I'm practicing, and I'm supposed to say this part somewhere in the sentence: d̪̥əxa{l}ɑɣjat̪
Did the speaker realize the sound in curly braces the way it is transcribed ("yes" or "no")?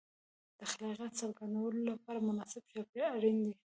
yes